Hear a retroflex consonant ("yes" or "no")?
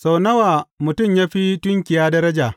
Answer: no